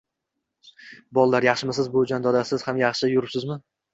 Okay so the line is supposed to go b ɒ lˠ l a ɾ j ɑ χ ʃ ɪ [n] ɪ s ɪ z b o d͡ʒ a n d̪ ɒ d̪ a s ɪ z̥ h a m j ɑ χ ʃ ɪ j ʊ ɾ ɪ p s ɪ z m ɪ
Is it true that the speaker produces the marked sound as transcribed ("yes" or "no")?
no